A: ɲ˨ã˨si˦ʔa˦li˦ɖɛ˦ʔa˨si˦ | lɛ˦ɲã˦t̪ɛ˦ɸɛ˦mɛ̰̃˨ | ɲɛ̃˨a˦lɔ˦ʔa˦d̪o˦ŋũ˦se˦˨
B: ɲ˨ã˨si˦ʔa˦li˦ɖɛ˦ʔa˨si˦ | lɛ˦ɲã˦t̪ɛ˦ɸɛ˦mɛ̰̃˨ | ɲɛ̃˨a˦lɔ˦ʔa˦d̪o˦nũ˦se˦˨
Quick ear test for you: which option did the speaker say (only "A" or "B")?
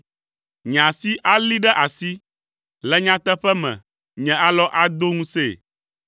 A